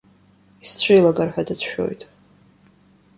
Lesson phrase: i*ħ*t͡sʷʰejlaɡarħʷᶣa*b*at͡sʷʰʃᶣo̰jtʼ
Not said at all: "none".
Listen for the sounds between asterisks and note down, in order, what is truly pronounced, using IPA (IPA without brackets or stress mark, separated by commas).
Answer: s, d